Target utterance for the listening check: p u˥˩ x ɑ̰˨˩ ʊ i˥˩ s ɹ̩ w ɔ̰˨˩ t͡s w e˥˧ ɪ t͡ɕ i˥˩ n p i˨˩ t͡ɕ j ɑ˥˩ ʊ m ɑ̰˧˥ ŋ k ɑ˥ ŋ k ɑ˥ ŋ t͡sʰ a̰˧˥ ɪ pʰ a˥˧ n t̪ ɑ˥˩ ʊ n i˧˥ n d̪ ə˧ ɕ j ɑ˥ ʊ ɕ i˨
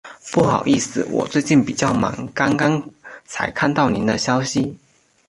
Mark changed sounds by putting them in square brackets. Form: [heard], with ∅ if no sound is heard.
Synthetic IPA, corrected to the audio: p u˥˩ x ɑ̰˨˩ ʊ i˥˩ s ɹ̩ w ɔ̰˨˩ t͡s w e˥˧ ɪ t͡ɕ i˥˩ n p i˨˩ t͡ɕ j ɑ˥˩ ʊ m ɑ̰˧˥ ŋ k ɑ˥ ŋ k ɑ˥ ŋ t͡sʰ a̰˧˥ ɪ [kʰ] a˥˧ n t̪ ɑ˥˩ ʊ n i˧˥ n d̪ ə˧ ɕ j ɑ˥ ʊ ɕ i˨